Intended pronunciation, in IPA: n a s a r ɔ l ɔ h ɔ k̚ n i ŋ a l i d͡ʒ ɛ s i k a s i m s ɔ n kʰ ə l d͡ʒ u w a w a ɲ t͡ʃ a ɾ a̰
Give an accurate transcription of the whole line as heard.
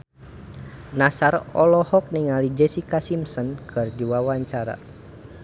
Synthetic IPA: n a s a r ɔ l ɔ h ɔ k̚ n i ŋ a l i d͡ʒ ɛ s i k a s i m s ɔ n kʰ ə r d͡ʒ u w a w a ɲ t͡ʃ a ɾ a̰